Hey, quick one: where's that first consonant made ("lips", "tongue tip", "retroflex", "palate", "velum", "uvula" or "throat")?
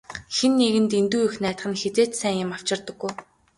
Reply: velum